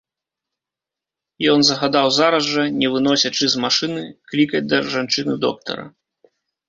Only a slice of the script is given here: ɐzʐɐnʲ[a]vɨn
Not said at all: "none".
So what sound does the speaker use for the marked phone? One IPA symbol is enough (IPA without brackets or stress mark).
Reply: ɛ